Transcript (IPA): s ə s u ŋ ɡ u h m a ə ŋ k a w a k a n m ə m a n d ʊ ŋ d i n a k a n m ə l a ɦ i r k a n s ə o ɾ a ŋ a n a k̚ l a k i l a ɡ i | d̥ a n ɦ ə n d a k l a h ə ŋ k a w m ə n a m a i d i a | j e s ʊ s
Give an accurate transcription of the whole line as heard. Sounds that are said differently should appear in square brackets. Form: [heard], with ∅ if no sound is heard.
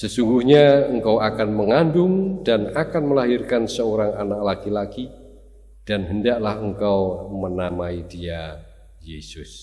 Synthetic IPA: s ə s u ŋ ɡ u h [ɲ] a ə ŋ k a w a k a n m ə [ŋ] a n d ʊ ŋ d [a] n a k a n m ə l a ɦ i r k a n s ə o ɾ a ŋ a n a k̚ l a k i l a [k] i | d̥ a n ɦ ə n d a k l a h ə ŋ k a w m ə n a m a i d i a | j e s ʊ s